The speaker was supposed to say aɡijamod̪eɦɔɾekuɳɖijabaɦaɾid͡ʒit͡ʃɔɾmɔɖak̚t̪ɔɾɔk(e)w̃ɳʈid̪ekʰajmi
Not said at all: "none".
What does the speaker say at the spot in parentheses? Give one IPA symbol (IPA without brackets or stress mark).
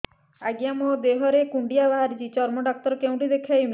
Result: e